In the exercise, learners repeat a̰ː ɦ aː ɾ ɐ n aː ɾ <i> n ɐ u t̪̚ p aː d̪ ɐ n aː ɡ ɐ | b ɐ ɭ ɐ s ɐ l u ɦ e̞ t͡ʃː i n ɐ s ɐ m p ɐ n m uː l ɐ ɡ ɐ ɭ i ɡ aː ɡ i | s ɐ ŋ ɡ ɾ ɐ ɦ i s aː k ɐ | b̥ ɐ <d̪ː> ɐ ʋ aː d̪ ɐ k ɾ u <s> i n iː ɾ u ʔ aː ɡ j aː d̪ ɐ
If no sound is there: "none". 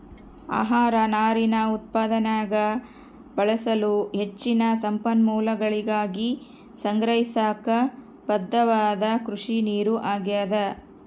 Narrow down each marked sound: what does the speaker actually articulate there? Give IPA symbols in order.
i, d̪ː, ʂ

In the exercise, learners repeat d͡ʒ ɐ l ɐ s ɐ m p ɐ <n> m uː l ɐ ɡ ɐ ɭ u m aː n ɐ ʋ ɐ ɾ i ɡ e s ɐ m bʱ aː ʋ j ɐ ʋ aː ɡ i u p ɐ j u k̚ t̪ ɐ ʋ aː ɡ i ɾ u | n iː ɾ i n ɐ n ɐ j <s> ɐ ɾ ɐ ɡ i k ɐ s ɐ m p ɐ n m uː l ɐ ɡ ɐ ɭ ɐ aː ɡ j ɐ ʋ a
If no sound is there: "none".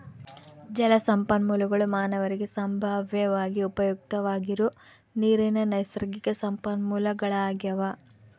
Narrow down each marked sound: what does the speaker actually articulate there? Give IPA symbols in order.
n, s

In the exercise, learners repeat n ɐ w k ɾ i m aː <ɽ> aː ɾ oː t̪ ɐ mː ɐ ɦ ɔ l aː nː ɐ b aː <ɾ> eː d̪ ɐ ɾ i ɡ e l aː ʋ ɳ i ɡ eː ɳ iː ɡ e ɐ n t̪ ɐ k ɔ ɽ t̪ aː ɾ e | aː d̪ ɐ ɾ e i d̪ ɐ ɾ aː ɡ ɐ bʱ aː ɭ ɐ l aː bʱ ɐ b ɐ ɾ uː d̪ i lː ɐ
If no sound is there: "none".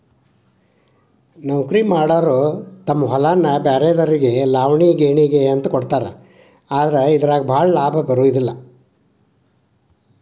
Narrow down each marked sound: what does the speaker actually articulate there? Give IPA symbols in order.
ɽ, ɾ

